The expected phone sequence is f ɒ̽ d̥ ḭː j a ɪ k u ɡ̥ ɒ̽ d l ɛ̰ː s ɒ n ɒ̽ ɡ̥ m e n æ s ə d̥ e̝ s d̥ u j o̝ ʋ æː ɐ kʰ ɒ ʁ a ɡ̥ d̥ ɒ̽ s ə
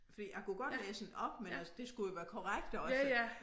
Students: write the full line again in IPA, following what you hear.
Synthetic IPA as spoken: f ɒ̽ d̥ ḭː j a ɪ k u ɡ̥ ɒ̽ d l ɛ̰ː s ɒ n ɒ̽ b̥ m e n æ s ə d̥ e̝ s ɡ̥ u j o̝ ʋ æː ɐ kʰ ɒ ʁ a ɡ̥ d̥ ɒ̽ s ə